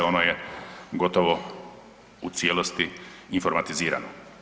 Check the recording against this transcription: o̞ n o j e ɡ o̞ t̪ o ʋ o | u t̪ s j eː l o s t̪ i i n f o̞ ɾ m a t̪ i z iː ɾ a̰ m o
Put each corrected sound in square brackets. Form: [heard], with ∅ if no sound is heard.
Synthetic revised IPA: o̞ n o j e ɡ o̞ t̪ o ʋ o | u t̪ s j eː l o s t̪ i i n f o̞ ɾ m a t̪ i z iː ɾ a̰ [n] o